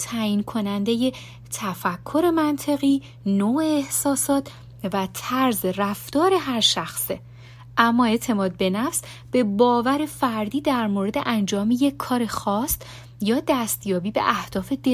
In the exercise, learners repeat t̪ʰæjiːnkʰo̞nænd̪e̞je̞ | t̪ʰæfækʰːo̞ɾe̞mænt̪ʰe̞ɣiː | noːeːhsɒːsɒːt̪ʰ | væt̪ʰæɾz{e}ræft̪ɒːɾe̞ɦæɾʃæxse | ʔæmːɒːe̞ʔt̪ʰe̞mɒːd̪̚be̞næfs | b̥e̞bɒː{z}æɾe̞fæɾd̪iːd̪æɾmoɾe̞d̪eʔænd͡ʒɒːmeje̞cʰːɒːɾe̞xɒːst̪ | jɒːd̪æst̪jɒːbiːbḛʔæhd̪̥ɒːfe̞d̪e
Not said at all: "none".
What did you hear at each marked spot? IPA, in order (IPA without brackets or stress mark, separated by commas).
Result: e, v